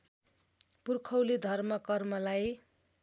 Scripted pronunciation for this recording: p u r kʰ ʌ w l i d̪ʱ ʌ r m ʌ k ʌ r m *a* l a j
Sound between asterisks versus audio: incorrect: ʌ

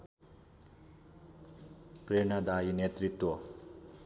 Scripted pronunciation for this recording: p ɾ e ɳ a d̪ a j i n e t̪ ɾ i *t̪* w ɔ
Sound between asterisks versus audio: correct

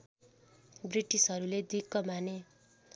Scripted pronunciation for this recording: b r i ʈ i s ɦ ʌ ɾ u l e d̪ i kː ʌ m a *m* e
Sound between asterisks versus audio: incorrect: n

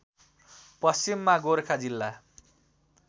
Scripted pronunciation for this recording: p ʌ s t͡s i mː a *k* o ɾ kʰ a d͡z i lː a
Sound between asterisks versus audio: incorrect: ɡ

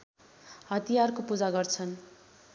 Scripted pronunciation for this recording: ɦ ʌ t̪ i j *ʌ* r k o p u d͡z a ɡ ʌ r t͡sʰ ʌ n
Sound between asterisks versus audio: incorrect: a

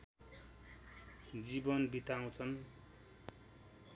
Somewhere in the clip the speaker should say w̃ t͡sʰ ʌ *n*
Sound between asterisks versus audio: correct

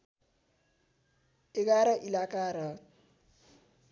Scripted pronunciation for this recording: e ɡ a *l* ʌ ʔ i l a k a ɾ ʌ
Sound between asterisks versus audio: incorrect: ɾ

